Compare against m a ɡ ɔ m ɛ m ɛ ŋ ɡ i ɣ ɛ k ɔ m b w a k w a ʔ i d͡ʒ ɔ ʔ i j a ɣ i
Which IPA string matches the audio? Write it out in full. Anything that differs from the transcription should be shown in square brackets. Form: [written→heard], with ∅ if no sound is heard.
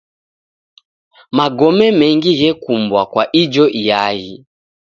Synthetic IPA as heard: m a ɡ ɔ m ɛ m ɛ ŋ ɡ i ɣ ɛ k [ɔ→u] m b w a k w a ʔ i d͡ʒ ɔ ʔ i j a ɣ i